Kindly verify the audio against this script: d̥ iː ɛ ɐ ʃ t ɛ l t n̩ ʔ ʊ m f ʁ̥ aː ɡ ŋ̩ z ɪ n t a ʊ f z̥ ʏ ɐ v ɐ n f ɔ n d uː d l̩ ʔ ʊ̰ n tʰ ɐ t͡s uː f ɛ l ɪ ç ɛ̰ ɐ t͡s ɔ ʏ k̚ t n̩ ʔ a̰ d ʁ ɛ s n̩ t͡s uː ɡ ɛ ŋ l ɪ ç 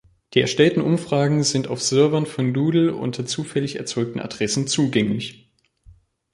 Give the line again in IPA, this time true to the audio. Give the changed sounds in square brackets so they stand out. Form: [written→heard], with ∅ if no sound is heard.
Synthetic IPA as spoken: d̥ iː ɛ ɐ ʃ t ɛ l t n̩ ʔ ʊ m f ʁ̥ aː ɡ ŋ̩ z ɪ n t a ʊ f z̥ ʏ ɐ v ɐ n f ɔ n d uː d l̩ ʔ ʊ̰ n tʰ ɐ t͡s uː f ɛ l ɪ ç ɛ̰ ɐ t͡s ɔ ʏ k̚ t n̩ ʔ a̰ d ʁ ɛ s n̩ t͡s uː ɡ ɛ ŋ l ɪ ç